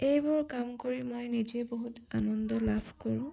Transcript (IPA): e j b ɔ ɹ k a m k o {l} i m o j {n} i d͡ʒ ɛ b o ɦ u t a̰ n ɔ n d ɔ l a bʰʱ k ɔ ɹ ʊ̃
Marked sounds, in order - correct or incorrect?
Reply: incorrect: ɹ, correct

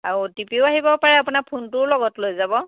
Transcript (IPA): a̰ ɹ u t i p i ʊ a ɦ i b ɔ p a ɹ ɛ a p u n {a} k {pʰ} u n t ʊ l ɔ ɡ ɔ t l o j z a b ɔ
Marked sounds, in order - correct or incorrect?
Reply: correct, correct

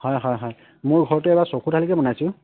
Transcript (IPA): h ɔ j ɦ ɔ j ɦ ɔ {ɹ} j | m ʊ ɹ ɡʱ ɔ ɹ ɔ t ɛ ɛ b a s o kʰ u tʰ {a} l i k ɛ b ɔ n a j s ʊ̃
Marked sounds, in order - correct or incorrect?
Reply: incorrect: none, correct

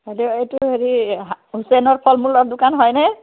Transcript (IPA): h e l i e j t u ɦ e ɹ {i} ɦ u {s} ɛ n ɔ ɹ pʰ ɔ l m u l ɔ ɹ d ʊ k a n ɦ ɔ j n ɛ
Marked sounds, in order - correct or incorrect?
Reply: correct, correct

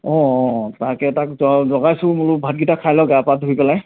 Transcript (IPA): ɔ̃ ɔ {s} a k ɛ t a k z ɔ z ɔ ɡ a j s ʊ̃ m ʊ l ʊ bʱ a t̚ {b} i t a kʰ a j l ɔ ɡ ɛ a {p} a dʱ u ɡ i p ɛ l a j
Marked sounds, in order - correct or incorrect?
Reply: incorrect: t, incorrect: ɡ, correct

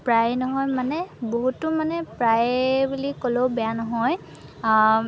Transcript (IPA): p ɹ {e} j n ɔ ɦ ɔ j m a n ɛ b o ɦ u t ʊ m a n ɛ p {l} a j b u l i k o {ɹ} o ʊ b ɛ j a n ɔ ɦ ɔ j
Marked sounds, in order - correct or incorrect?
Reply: incorrect: a, incorrect: ɹ, incorrect: l

